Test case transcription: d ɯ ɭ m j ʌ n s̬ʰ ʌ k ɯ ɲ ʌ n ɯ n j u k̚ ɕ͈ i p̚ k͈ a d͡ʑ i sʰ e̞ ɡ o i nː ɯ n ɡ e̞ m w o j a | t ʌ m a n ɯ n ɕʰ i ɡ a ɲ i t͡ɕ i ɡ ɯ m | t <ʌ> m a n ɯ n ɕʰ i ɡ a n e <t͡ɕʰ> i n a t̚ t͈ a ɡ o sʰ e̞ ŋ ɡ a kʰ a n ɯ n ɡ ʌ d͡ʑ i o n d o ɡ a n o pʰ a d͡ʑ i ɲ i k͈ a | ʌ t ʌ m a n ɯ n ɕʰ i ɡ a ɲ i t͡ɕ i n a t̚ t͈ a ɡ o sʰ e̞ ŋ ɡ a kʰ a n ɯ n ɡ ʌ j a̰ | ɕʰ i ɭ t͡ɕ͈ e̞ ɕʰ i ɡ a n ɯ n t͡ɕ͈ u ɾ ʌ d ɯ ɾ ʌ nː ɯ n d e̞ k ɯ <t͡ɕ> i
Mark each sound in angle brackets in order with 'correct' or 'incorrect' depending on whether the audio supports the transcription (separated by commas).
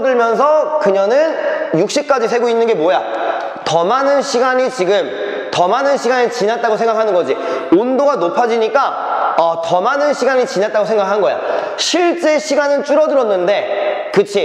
correct, incorrect, incorrect